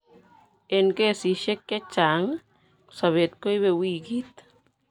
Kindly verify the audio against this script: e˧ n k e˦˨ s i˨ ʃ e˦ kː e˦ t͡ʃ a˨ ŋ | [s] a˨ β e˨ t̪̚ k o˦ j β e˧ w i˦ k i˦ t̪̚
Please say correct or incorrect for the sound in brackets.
correct